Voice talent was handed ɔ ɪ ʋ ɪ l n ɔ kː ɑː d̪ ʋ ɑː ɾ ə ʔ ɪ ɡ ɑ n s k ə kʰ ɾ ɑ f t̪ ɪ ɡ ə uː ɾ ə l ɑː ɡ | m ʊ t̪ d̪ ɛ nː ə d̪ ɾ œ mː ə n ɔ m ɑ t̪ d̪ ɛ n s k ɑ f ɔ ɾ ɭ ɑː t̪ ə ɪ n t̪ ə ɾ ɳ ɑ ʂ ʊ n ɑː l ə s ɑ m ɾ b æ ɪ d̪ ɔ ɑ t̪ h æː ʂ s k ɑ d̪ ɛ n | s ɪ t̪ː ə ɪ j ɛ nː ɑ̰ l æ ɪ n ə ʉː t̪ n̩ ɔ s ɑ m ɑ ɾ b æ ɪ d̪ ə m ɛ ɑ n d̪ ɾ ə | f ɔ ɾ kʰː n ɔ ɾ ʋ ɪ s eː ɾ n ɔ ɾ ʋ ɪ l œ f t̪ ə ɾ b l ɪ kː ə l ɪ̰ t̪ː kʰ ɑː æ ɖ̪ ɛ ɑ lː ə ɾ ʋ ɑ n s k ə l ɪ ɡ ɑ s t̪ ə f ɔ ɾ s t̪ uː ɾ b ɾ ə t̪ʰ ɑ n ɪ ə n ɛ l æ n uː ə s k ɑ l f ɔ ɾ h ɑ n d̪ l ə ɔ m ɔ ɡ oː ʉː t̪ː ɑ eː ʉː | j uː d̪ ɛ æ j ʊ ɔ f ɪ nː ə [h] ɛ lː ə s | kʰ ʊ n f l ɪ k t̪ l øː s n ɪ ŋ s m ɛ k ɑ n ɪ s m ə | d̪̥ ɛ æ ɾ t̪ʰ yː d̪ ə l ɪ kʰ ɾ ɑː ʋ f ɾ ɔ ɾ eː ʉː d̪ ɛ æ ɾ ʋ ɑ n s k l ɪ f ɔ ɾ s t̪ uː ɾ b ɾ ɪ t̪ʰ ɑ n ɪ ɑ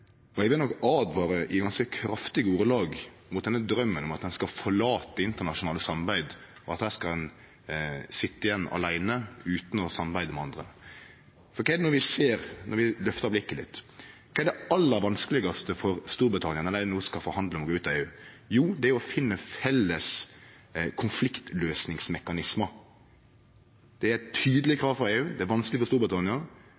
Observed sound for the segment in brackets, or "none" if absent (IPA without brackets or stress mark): f